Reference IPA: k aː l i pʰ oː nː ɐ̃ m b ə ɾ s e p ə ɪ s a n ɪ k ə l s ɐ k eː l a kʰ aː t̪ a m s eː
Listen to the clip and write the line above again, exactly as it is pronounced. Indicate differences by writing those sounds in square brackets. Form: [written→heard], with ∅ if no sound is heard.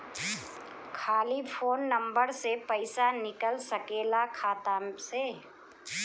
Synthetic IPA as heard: [k→kʰ] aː l i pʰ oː nː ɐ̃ m b ə ɾ s e p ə ɪ s a n ɪ k ə l s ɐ k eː l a kʰ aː t̪ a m s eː